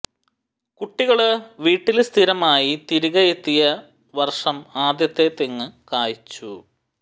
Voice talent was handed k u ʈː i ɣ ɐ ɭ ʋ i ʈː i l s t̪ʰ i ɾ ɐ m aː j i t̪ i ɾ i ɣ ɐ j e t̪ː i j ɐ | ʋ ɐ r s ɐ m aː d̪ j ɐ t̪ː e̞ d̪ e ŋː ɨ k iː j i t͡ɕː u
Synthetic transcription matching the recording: k u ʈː i ɣ ɐ ɭ ʋ iː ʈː i l s t̪ʰ i ɾ ɐ m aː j i t̪ i ɾ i ɣ ɐ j e t̪ː i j ɐ | ʋ ɐ r ʂ ɐ m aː d̪ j ɐ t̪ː e̞ t̪ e ŋː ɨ k aː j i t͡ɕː u